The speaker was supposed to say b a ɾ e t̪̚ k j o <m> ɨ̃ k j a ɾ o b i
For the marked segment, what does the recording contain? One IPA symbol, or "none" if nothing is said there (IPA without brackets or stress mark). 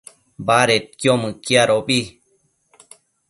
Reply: m